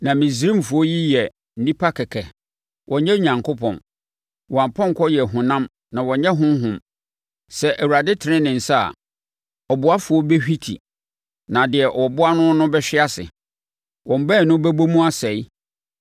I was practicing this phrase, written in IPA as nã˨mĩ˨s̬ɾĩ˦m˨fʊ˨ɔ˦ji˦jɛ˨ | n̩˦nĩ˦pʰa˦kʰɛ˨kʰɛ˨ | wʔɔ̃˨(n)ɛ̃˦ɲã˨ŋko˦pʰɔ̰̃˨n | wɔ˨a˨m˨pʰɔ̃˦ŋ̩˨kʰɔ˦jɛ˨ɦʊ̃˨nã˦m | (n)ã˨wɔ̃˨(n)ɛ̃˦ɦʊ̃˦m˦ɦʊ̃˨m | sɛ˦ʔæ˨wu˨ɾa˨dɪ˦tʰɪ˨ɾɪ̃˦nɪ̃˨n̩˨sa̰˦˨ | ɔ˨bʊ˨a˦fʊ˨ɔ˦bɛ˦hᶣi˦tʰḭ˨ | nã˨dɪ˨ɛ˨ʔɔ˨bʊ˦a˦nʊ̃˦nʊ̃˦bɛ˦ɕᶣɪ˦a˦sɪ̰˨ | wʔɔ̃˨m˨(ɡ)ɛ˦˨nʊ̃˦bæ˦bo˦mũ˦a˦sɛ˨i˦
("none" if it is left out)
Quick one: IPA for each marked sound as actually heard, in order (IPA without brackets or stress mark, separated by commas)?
ɲ, n, ɲ, b